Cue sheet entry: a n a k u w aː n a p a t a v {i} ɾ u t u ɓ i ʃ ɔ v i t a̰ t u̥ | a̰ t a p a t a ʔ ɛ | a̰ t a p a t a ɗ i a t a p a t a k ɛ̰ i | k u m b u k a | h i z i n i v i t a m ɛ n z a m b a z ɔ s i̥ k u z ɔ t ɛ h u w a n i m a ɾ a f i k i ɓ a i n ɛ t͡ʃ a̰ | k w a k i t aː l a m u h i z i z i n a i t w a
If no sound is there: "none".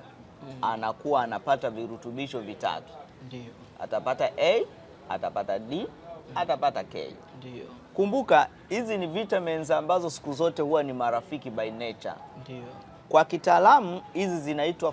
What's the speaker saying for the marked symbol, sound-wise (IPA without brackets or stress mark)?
i